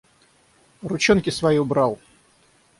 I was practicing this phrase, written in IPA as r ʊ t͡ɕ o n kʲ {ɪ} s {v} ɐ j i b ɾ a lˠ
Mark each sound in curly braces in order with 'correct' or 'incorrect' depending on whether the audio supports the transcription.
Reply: correct, correct

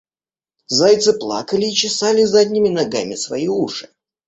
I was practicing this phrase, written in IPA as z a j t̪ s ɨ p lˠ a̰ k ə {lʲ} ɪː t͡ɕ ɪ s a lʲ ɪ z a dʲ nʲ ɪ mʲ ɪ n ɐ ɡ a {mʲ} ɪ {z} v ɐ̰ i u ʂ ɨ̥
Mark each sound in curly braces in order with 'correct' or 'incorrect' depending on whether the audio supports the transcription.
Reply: correct, correct, incorrect: s

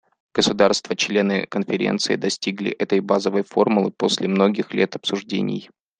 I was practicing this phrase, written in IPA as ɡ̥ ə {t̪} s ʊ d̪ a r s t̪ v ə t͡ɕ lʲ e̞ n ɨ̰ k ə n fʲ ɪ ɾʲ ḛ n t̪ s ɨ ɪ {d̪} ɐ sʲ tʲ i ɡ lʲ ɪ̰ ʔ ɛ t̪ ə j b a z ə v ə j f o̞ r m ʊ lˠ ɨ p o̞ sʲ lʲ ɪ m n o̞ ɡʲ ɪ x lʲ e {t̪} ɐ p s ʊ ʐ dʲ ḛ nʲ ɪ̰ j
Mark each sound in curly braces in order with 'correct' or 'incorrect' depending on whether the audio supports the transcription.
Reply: incorrect: none, correct, correct

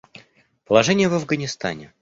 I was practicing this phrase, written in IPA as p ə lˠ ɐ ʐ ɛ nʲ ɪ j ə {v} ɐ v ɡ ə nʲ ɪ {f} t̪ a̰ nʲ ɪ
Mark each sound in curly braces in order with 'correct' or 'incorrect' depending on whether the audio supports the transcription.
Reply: correct, incorrect: s

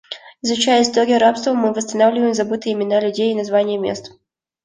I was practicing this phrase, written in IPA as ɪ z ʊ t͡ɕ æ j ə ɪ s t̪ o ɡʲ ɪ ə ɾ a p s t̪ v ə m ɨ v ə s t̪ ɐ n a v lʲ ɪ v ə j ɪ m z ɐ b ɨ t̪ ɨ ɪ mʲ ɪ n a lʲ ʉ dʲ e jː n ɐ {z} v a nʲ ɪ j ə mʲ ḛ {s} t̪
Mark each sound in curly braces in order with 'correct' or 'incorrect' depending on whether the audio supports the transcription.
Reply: correct, correct

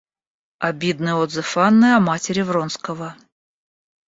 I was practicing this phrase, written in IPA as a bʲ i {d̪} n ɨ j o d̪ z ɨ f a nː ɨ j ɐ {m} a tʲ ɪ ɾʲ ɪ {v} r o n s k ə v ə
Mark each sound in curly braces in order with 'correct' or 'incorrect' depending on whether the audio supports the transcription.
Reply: correct, correct, correct

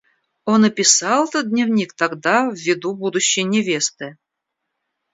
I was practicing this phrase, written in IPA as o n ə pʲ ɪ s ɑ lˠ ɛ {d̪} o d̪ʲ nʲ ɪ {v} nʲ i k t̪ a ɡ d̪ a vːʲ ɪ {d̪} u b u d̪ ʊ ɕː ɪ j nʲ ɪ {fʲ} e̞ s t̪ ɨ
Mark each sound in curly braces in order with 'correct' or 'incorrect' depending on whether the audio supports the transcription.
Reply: incorrect: t̪, correct, correct, incorrect: vʲ

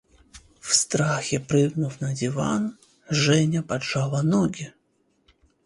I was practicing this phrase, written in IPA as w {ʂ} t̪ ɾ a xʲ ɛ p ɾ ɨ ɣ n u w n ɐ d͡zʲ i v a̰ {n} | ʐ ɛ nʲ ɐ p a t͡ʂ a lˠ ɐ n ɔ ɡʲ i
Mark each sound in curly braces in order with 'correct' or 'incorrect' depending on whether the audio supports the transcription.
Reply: incorrect: s, correct

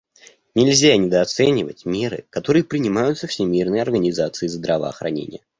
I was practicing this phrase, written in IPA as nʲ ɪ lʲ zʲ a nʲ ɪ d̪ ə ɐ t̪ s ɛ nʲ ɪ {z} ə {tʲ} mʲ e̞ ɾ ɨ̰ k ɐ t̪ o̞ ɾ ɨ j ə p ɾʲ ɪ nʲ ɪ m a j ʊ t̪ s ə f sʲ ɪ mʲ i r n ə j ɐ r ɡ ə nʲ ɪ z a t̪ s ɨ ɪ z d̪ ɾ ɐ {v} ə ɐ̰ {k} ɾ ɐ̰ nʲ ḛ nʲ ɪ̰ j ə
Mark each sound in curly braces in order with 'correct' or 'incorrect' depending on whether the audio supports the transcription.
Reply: incorrect: v, correct, correct, incorrect: x

